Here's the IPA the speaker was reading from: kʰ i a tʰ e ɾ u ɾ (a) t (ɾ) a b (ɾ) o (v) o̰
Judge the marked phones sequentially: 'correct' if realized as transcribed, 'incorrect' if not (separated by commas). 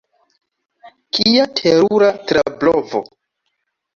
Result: correct, correct, incorrect, correct